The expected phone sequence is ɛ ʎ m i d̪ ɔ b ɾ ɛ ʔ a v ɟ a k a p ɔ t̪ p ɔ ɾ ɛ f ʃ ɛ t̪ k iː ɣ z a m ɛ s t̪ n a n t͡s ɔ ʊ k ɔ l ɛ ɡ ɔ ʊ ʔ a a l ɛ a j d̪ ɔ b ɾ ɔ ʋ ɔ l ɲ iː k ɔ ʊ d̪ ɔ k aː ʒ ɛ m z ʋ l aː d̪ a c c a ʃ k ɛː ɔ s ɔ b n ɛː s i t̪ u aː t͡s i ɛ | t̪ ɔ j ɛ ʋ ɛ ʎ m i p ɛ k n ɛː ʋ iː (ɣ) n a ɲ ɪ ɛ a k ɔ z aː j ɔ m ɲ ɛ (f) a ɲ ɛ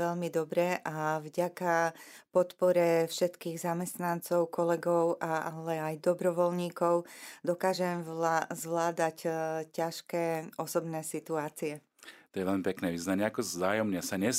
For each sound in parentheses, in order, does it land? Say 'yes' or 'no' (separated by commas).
no, no